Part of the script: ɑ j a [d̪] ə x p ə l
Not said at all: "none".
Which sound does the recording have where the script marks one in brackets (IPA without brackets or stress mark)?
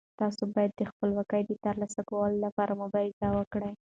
d̪ː